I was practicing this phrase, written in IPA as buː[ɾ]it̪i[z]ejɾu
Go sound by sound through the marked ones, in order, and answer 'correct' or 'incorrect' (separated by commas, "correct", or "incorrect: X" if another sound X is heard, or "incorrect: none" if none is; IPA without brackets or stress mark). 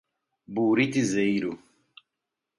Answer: correct, correct